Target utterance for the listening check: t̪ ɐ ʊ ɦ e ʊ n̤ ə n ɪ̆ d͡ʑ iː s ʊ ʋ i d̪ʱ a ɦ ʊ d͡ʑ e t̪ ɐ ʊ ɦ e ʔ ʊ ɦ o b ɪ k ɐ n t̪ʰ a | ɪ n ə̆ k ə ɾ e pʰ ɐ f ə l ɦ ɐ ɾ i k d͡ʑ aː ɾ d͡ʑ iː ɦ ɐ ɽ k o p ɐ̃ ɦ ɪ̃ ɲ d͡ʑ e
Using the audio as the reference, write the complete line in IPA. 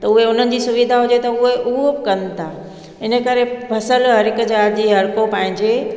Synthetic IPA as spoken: t̪ ɐ ʊ ɦ e ʊ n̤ ə n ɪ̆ d͡ʑ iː s ʊ ʋ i d̪ʱ a ɦ ʊ d͡ʑ e t̪ ɐ ʊ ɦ e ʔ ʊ ɦ o b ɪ k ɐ n t̪ʰ a | ɪ n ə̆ k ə ɾ e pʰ ɐ s ə l ɦ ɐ ɾ ɪ k d͡ʑ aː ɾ d͡ʑ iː ɦ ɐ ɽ k o p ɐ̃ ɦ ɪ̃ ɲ d͡ʑ e